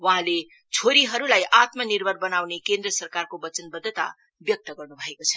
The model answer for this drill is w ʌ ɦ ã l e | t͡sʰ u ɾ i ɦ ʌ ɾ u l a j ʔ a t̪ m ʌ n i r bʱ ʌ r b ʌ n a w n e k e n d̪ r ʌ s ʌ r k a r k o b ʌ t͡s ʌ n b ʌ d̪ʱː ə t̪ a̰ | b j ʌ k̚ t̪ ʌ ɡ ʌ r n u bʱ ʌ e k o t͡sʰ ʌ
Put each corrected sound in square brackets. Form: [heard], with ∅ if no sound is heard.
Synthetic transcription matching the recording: w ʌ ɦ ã l e | t͡sʰ [o] ɾ i ɦ ʌ ɾ u l a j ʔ a t̪ m ʌ n i r bʱ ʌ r b ʌ n a w n e k e n d̪ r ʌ s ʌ r k a r k o b ʌ t͡s ʌ n b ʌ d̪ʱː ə t̪ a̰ | b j ʌ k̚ t̪ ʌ ɡ ʌ r n u bʱ ʌ e k o t͡sʰ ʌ